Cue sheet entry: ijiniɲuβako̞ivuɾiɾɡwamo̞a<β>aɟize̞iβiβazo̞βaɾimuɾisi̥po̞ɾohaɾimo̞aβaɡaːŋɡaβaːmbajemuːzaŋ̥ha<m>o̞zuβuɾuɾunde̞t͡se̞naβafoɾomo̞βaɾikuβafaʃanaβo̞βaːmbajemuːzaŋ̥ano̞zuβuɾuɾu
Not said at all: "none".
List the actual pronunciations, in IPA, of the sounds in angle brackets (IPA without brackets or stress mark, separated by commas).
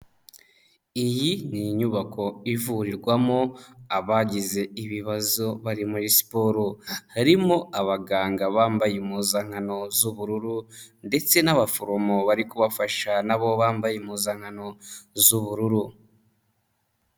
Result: β, n